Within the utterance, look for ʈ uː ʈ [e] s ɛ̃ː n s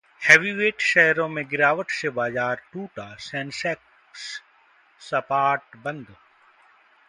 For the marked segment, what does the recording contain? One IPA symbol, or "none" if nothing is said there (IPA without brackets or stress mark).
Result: a